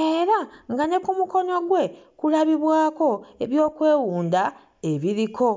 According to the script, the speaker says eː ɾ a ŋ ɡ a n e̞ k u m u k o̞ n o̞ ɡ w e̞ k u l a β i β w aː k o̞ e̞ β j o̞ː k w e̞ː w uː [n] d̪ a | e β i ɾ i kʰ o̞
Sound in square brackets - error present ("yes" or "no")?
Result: no